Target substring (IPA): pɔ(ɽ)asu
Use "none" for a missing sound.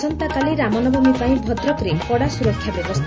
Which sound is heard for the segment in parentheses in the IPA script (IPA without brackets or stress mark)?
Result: ɽ